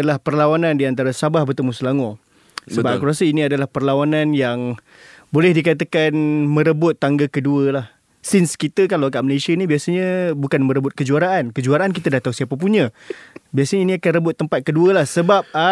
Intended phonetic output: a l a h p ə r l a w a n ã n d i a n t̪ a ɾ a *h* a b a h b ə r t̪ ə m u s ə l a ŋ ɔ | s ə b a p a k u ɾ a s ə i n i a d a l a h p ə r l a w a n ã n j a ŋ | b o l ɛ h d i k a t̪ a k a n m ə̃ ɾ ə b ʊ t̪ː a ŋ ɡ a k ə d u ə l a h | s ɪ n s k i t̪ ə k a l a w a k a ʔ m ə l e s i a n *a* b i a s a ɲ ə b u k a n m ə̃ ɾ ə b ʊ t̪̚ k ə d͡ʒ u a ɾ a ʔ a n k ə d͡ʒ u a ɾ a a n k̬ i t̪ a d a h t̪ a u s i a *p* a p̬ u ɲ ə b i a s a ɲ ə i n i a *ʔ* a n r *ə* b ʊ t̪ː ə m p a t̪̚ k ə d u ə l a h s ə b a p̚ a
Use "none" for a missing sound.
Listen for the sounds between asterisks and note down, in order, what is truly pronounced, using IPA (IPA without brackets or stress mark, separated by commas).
s, i, p, k, ə